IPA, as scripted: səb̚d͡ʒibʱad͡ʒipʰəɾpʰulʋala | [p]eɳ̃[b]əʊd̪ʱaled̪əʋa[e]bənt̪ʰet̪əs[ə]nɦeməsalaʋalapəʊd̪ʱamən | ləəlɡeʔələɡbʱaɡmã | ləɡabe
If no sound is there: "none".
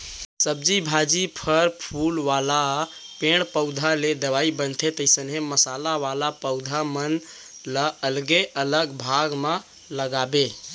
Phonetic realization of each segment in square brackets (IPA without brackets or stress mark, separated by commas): p, p, i, ə